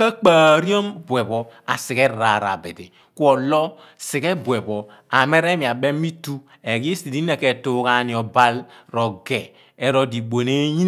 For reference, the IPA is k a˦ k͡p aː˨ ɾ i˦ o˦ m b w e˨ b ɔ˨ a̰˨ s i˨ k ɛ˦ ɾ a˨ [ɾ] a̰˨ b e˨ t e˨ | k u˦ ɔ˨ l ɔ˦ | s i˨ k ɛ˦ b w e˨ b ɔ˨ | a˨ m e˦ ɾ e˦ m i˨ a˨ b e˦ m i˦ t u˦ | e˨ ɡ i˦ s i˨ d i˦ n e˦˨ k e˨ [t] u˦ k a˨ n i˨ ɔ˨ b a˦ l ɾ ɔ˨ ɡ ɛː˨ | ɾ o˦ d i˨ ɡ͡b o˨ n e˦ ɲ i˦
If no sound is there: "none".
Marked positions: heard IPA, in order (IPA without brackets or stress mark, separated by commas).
ɾ, t